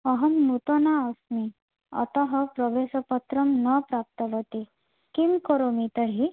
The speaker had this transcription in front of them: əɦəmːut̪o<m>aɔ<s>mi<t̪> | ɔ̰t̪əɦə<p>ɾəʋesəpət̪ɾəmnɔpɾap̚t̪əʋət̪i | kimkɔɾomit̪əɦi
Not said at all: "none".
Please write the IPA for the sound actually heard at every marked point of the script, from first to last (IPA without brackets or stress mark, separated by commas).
n, s, none, p